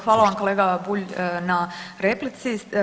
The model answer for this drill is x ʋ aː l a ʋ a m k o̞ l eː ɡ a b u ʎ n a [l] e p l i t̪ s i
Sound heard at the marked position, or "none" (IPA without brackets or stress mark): ɾ